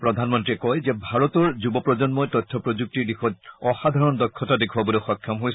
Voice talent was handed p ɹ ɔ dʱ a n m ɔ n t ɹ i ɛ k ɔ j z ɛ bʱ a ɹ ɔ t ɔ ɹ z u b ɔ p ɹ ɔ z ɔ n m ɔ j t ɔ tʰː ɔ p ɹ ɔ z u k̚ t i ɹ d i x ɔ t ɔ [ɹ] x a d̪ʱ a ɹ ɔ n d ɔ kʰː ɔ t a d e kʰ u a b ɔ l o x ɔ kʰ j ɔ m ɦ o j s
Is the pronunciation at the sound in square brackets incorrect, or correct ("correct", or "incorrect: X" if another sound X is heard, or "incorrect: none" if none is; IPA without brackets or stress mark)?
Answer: incorrect: none